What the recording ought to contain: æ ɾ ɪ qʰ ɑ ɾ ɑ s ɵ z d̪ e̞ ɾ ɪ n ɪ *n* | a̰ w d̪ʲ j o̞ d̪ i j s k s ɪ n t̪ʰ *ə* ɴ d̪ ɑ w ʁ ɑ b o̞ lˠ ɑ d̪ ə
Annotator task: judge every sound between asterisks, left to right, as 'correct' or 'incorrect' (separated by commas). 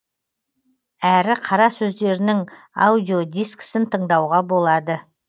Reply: incorrect, correct